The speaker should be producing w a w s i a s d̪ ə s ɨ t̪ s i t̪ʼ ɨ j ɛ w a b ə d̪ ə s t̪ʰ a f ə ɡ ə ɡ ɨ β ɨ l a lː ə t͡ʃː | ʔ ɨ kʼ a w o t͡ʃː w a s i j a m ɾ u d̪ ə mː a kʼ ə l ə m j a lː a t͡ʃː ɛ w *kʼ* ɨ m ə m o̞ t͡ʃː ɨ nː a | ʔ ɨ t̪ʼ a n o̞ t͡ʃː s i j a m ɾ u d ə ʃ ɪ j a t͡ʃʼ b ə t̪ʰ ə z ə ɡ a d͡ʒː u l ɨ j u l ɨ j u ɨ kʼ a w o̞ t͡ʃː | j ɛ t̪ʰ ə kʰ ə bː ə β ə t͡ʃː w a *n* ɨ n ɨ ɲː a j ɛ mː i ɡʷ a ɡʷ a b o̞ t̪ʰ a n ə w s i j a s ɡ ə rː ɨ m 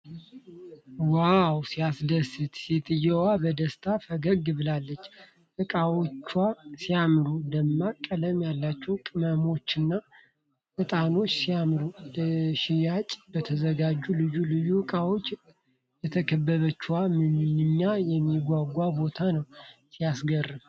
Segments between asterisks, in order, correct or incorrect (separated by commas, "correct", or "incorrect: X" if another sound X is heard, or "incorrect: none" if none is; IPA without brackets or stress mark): correct, incorrect: m